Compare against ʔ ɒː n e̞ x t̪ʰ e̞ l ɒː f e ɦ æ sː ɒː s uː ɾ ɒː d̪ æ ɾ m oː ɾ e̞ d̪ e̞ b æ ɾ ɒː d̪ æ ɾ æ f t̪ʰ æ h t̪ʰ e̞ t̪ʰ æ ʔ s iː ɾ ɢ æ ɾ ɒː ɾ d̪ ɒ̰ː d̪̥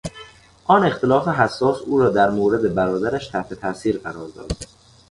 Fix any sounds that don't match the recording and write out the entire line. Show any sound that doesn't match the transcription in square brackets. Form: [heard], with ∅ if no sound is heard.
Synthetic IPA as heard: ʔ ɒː n e̞ x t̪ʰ e̞ l ɒː f e ɦ æ sː ɒː s uː ɾ ɒː d̪ æ ɾ m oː ɾ e̞ d̪ e̞ b æ ɾ ɒː d̪ æ ɾ æ [ʃ] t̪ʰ æ h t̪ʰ e̞ t̪ʰ æ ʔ s iː ɾ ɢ æ ɾ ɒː ɾ d̪ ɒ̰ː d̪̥